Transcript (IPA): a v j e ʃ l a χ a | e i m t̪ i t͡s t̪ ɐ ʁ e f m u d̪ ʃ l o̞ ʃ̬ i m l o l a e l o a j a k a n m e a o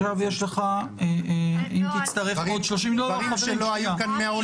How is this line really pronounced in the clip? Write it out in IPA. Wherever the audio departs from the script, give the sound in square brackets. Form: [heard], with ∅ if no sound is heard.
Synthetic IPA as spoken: a v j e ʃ l [e] χ a | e i m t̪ i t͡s t̪ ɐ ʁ e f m [o] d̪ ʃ l o̞ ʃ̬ i m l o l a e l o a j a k a n m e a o